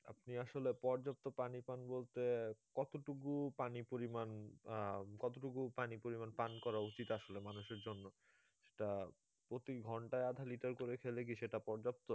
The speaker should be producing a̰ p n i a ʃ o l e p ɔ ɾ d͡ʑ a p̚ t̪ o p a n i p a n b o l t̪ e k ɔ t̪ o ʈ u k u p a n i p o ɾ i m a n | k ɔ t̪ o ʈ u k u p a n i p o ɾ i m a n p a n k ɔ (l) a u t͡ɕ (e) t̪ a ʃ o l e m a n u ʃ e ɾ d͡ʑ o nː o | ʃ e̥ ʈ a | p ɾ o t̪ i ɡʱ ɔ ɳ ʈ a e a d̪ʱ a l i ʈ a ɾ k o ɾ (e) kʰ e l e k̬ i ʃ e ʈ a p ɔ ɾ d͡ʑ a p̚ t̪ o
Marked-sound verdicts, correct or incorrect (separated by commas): incorrect, incorrect, correct